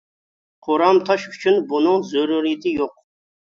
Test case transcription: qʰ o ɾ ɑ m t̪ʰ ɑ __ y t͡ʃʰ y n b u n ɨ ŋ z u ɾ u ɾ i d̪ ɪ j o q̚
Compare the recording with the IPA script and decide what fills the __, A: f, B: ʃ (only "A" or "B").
B